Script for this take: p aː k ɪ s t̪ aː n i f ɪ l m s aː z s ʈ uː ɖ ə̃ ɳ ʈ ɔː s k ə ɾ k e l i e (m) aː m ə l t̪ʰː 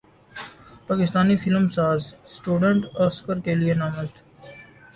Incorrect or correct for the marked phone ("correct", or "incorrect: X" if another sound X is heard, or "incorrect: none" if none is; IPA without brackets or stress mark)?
incorrect: n